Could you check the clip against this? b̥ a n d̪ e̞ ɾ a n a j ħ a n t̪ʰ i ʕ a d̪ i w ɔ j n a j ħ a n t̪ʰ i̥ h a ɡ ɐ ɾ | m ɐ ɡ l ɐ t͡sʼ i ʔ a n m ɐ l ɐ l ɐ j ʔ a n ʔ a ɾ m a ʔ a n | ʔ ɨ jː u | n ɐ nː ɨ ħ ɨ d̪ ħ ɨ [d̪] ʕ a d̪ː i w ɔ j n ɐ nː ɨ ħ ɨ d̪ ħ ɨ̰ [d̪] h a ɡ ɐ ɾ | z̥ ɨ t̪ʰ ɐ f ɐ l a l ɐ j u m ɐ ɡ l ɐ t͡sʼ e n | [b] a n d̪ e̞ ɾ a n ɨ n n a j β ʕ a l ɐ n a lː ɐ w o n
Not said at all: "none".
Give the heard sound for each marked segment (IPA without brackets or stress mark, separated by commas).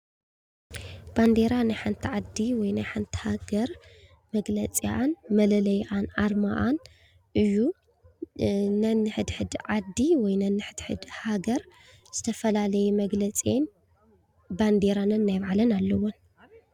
d̪, d̪, b